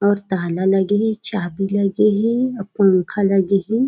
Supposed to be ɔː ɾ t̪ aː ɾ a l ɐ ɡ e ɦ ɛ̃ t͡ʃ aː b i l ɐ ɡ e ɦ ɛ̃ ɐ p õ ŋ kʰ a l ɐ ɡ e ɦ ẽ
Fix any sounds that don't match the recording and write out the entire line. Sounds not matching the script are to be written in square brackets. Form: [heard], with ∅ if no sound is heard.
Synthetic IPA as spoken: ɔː ɾ t̪ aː [l] a l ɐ ɡ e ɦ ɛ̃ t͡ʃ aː b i l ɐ ɡ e ɦ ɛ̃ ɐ p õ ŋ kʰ a l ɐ ɡ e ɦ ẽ